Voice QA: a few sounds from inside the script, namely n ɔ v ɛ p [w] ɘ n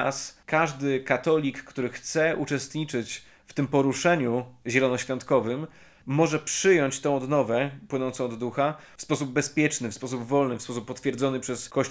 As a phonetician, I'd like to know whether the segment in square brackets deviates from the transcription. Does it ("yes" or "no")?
no